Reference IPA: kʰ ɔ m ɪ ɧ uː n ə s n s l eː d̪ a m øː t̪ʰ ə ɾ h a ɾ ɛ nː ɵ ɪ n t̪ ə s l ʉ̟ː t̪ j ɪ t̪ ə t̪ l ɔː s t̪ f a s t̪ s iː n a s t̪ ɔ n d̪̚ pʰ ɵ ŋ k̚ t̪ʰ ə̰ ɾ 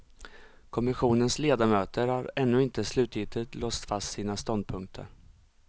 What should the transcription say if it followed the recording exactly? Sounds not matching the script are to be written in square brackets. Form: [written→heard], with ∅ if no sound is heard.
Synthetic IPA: kʰ ɔ m ɪ ɧ uː n ə [s→∅] n s l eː d̪ a m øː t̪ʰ ə ɾ h a ɾ ɛ nː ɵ ɪ n t̪ ə s l ʉ̟ː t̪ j ɪ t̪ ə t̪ l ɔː s t̪ f a s t̪ s iː n a s t̪ ɔ n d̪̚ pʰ ɵ ŋ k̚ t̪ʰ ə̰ ɾ

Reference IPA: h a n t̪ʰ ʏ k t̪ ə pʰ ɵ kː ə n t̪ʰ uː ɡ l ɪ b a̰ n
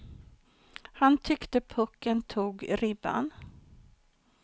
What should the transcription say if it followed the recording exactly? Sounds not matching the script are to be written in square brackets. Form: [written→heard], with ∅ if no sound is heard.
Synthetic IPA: h a n t̪ʰ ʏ k t̪ ə pʰ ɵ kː ə n t̪ʰ uː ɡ [l→ɾ] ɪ b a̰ n

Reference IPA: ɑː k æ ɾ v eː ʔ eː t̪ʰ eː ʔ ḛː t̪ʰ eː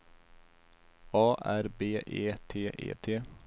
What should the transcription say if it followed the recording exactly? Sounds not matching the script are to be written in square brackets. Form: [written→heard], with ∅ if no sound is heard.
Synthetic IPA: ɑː [k→ʔ] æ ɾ [v→b] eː ʔ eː t̪ʰ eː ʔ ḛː t̪ʰ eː

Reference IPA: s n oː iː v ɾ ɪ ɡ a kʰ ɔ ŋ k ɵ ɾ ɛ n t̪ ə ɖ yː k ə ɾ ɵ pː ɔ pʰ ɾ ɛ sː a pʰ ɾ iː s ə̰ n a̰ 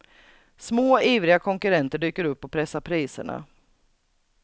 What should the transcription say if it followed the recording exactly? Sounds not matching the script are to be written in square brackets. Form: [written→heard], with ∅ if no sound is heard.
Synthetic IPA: s [n→m] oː iː v ɾ ɪ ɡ a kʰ ɔ ŋ k ɵ ɾ ɛ n t̪ ə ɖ yː k ə ɾ ɵ pː ɔ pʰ ɾ ɛ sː a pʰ ɾ iː s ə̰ [n→ɳ] a̰

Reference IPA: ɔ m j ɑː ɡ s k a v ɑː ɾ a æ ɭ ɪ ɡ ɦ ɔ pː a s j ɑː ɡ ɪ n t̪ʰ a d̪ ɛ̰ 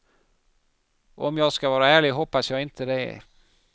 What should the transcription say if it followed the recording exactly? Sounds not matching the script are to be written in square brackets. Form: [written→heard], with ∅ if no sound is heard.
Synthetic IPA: ɔ m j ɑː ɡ s k a v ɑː ɾ a [æ→æː] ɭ ɪ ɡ ɦ ɔ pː a s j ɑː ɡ ɪ n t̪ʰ [a→ə] d̪ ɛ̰

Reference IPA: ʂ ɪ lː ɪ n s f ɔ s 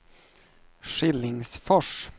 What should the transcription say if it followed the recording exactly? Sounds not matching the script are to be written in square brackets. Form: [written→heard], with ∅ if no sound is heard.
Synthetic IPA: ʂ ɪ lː ɪ [n→ŋ] s f ɔ [s→ʂ]

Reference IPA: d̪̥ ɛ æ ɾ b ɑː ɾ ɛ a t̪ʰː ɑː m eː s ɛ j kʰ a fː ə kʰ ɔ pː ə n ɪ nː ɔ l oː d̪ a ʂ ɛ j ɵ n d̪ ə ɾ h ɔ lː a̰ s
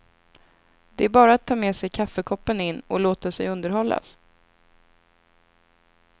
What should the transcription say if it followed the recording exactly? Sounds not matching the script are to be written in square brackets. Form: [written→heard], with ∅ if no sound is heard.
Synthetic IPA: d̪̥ ɛ æ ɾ b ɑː ɾ [ɛ→a] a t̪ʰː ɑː m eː s ɛ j kʰ a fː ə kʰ ɔ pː ə n ɪ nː ɔ l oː [d̪→t̪] a [ʂ→s] ɛ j ɵ n d̪ ə ɾ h ɔ lː a̰ s

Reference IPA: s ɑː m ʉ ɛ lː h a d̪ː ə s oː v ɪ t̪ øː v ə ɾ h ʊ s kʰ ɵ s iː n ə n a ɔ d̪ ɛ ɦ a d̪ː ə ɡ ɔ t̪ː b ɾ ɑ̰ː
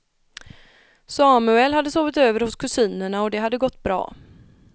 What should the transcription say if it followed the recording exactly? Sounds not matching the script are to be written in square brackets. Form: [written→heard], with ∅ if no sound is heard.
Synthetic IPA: s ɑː m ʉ ɛ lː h a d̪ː ə s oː v ɪ t̪ øː v ə ɾ h ʊ s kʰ ɵ s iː n ə [n→ɳ] a ɔ d̪ ɛ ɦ a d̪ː ə ɡ ɔ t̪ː b ɾ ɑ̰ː

